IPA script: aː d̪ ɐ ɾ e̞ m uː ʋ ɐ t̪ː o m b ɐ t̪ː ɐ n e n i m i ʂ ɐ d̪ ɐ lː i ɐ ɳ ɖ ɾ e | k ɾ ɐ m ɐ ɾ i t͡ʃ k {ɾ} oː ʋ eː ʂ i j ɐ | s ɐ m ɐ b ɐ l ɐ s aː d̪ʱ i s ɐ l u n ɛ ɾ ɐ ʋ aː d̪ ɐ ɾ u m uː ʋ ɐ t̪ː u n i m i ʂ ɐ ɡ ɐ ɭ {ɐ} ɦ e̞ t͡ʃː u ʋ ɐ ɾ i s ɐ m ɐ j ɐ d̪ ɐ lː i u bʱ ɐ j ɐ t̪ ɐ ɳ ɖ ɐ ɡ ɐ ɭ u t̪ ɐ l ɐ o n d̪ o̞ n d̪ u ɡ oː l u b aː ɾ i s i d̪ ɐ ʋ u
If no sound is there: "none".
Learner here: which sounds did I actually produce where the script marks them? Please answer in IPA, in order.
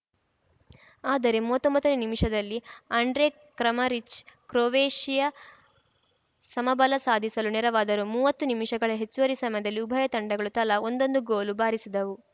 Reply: ɾ, ɐ

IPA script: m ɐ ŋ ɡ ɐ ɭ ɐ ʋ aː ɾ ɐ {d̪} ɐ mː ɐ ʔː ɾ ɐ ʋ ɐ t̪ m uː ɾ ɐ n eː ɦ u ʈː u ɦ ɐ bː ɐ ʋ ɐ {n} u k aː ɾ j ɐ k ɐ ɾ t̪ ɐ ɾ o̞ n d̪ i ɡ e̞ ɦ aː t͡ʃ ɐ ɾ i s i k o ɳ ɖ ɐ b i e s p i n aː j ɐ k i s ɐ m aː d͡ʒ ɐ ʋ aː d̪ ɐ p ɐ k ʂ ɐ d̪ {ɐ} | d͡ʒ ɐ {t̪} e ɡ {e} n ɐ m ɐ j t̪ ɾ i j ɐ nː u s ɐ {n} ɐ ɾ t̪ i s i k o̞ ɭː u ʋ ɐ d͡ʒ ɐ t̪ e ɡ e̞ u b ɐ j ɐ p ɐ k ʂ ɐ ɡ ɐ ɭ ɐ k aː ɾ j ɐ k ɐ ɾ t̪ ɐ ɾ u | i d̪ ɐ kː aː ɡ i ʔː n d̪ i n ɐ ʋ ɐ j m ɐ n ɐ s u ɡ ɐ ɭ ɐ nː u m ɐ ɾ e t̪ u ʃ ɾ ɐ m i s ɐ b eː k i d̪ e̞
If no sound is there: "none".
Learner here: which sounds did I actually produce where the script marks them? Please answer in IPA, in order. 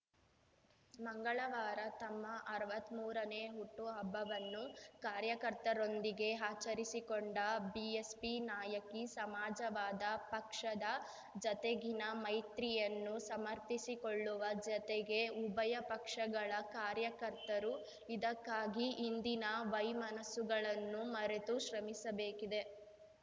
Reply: t̪, nː, ɐ, t̪, i, m

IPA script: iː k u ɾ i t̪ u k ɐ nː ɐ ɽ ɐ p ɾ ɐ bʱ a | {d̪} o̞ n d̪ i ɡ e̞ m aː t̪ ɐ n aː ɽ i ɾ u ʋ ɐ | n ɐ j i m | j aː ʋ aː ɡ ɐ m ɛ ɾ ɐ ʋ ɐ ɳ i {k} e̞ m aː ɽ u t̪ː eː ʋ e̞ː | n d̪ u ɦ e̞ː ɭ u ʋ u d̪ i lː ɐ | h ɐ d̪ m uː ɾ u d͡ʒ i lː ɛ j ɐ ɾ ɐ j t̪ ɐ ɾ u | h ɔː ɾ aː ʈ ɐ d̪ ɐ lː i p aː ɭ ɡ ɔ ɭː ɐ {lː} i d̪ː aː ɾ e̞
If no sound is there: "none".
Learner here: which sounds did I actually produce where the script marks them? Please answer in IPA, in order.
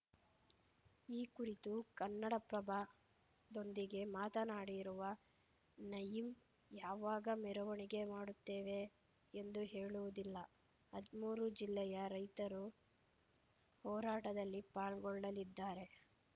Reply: d̪, ɡ, l

